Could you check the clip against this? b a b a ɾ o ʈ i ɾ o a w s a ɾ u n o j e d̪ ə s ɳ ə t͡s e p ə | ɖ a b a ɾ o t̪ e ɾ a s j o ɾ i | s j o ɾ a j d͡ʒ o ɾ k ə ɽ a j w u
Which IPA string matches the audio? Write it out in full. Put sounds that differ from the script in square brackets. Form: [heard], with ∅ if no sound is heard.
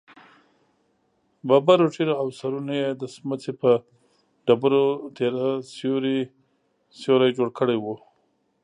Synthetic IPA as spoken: b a b a ɾ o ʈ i ɾ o a w s a ɾ u n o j e d̪ ə s [m] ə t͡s e p ə | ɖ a b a ɾ o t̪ e ɾ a s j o ɾ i | s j o ɾ a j d͡ʒ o [ɽ] k ə ɽ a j w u